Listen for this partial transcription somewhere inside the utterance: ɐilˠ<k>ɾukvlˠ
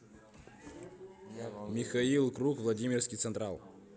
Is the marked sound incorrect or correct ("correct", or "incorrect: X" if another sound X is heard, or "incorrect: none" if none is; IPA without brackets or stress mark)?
correct